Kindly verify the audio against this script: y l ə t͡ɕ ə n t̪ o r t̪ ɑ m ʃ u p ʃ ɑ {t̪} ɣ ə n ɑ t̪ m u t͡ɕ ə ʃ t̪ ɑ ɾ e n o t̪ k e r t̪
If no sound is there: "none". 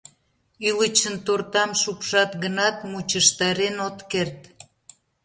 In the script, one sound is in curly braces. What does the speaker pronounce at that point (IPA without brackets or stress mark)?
t̪